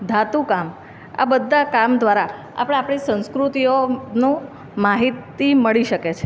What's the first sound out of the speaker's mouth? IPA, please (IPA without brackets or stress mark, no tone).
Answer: d̪ʱ